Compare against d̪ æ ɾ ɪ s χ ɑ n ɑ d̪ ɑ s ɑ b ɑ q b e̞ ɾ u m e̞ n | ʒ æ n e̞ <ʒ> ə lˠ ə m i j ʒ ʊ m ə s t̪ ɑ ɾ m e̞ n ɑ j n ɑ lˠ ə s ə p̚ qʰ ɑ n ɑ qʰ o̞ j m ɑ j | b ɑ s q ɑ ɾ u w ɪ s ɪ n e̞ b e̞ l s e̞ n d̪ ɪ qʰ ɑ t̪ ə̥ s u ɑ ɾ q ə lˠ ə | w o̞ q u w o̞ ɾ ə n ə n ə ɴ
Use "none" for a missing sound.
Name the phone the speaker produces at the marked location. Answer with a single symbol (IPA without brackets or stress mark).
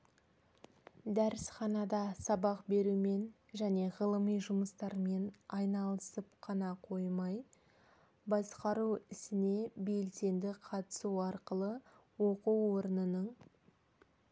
ʁ